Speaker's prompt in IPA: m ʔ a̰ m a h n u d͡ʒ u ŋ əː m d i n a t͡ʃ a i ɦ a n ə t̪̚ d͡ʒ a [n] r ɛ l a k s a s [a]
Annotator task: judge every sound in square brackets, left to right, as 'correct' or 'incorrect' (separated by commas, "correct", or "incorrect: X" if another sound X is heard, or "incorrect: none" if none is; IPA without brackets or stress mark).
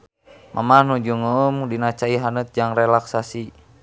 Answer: incorrect: ŋ, incorrect: i